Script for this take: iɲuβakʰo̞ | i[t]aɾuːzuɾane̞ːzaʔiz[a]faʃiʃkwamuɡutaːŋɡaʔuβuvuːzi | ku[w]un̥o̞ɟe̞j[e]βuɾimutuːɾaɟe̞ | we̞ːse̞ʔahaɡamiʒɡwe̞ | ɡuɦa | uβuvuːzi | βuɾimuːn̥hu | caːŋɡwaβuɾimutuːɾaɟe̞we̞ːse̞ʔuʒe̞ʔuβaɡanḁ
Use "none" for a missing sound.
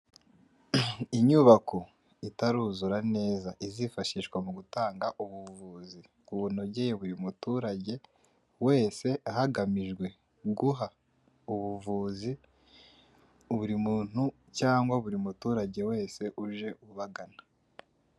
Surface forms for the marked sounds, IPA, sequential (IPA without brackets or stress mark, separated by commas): t, i, β, e